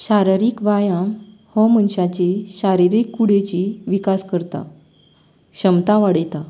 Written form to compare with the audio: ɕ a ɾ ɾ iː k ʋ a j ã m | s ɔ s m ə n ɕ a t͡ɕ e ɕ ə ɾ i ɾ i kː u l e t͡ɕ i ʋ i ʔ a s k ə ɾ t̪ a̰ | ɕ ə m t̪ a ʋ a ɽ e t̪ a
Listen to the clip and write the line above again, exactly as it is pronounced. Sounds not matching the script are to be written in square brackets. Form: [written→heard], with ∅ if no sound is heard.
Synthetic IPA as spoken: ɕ a ɾ ɾ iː k ʋ a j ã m | [s→h] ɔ [s→∅] m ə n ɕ a t͡ɕ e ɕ [ə→a] ɾ i ɾ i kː u [l→ɽ] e t͡ɕ i ʋ i [ʔ→k] a s k ə ɾ t̪ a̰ | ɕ ə m t̪ a ʋ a ɽ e t̪ a